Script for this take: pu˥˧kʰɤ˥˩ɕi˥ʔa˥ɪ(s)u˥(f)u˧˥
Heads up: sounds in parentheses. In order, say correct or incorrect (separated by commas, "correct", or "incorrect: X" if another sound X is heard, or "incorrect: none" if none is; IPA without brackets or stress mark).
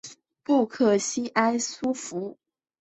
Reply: correct, correct